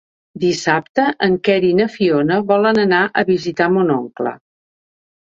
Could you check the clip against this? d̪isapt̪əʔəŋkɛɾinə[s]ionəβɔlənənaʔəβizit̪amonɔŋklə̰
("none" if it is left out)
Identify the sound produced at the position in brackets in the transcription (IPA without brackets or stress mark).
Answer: f